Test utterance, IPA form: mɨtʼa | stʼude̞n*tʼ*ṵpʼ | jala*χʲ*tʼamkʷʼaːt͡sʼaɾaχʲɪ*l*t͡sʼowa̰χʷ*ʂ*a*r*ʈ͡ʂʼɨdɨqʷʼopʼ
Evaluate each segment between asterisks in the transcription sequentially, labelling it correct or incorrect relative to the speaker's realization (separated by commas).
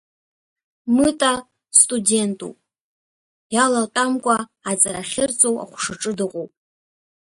correct, incorrect, incorrect, correct, incorrect